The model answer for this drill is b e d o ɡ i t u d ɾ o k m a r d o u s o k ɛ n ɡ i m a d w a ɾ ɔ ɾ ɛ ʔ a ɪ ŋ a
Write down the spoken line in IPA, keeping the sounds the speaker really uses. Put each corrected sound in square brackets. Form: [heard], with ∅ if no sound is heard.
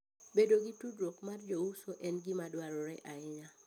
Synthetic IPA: b e d o ɡ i t u d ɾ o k m a r [d͡ʒ] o u s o [ʔ] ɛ n ɡ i m a d w a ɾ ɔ ɾ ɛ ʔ a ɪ [ɲ] a